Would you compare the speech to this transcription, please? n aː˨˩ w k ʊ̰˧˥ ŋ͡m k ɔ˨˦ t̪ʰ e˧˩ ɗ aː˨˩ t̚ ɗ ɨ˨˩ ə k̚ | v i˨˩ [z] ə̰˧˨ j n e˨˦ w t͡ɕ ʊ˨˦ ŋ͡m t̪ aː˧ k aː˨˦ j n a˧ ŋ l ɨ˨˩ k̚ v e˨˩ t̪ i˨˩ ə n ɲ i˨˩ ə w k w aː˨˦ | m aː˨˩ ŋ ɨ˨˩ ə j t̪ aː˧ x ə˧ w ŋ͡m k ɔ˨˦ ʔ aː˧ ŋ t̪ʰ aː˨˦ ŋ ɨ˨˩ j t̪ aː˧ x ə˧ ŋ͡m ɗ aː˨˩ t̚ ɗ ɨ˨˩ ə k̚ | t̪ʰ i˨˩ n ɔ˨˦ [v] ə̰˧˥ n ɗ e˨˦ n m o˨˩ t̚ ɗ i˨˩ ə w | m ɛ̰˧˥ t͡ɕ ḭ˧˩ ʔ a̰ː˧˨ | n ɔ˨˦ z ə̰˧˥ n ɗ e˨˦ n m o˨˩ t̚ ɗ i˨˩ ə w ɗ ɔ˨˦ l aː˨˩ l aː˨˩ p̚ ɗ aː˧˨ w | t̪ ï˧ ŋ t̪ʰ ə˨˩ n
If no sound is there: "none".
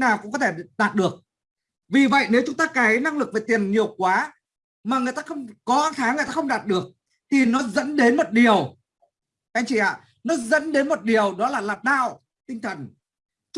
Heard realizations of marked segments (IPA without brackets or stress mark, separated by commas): v, z